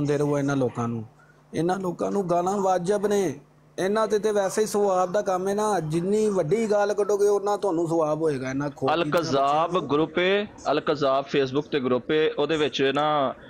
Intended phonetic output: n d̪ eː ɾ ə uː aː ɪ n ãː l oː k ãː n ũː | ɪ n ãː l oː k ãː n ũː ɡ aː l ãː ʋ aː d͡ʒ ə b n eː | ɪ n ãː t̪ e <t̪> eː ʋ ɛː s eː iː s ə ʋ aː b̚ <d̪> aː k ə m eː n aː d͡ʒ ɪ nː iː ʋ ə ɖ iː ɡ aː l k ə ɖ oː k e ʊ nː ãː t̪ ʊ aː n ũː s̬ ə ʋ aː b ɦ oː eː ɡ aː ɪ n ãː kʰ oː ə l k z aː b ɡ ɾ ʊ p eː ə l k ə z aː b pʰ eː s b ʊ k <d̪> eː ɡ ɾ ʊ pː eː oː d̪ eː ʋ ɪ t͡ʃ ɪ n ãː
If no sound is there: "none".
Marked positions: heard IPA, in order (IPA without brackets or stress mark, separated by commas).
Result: t̪, d̪, t̪